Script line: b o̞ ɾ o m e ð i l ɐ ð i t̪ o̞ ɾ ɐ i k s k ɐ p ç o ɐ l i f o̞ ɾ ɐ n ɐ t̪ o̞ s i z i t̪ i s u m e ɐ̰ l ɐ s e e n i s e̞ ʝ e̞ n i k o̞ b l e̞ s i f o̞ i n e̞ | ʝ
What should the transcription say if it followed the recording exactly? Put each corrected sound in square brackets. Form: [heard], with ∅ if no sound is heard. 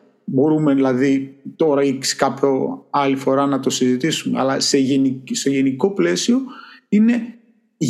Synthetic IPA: b o̞ ɾ [u] m e ð i l ɐ ð i t̪ o̞ ɾ ɐ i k s k ɐ p ç o ɐ l i f o̞ ɾ ɐ n ɐ t̪ o̞ s i z i t̪ i s u m e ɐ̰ l ɐ s e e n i s e̞ ʝ e̞ n i k o̞ [p] l e̞ s i [∅] o̞ i n e̞ | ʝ